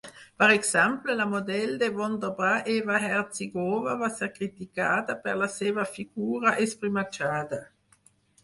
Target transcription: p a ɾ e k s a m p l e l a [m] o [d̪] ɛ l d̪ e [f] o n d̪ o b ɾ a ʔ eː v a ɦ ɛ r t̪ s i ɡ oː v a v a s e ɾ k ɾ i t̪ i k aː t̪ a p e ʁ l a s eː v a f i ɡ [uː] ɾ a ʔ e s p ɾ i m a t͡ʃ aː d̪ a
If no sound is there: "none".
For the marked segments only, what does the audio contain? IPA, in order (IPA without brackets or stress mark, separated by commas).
m, d̪, v, uː